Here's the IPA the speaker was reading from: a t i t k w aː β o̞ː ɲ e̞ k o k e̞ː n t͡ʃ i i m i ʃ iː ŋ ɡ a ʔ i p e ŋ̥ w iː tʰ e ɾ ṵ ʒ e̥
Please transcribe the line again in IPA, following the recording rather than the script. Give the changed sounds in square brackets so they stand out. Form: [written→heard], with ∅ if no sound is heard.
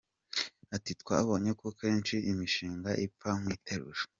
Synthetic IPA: a t i t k w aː β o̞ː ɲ e̞ k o k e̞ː n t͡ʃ i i m i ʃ iː ŋ ɡ a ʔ i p [e→a] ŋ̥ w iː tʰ e ɾ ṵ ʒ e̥